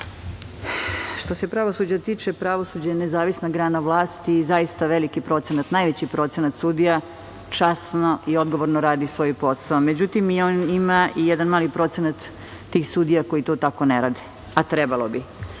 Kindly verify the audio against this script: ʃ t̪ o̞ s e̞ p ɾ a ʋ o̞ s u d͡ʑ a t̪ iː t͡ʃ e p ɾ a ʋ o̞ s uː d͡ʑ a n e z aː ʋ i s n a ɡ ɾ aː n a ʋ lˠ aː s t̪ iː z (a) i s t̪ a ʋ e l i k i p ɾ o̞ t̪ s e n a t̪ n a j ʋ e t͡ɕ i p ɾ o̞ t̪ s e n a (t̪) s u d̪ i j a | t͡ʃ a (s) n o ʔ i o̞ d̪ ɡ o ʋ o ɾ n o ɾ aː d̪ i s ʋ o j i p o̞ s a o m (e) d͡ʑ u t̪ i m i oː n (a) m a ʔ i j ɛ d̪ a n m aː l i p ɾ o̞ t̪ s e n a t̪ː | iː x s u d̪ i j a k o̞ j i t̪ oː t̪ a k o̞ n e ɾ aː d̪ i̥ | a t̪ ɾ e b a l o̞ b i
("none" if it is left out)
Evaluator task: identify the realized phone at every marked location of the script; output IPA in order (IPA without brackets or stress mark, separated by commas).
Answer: a, t̪, s, e, i